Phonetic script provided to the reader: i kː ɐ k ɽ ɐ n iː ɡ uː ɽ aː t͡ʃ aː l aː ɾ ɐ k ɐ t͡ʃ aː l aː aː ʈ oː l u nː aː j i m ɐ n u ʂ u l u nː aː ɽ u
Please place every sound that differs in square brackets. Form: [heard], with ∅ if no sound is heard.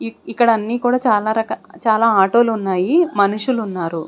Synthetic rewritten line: i kː ɐ [∅] ɽ ɐ [nː] iː [k] uː ɽ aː t͡ʃ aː l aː ɾ ɐ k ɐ t͡ʃ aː l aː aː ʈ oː l u nː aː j i m ɐ n u ʂ u l u nː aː [ɾ] u

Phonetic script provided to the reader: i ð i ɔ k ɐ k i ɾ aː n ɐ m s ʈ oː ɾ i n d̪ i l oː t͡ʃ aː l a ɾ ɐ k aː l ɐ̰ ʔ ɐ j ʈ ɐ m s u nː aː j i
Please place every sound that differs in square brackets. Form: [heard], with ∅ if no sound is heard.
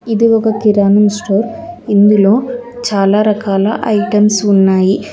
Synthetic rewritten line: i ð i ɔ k ɐ k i ɾ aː n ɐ m s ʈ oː ɾ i n d̪ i l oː t͡ʃ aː l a ɾ ɐ k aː l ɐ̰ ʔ ɐ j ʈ ɐ m s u nː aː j i

